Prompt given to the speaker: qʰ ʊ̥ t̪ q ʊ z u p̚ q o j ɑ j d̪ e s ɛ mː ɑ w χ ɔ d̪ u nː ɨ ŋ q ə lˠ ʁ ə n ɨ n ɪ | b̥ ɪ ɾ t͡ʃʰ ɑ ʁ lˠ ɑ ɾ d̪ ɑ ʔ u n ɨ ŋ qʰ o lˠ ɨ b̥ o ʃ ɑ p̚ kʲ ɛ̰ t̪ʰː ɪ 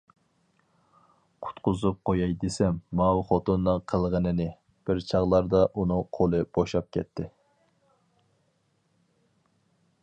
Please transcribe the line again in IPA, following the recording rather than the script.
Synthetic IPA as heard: qʰ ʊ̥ t̪ q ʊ z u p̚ q o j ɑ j d̪ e s ɛ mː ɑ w χ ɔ t̪ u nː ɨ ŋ qʰ ə lˠ ʁ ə n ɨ n ɪ | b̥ ɪ ɾ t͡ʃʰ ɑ ʁ lˠ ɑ ɾ d̪ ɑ ʔ u n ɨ ŋ qʰ o lˠ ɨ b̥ o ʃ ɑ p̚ kʲ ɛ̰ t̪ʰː ɪ

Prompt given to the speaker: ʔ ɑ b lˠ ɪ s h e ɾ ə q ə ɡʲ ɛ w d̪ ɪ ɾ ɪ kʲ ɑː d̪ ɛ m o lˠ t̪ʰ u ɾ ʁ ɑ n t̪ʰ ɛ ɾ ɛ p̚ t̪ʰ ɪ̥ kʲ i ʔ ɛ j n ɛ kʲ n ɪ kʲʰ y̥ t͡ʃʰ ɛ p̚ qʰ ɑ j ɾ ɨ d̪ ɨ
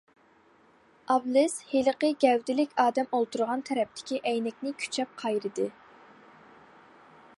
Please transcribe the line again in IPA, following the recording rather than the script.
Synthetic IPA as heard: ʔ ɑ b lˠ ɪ s h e l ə q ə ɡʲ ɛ w d̪ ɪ l ɪ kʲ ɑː d̪ ɛ m o lˠ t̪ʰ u ɾ ʁ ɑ n t̪ʰ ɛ ɾ ɛ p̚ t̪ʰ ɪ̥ kʲ i ʔ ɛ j n ɛ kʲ n ɪ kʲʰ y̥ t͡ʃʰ ɛ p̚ qʰ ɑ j ɾ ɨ d̪ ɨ

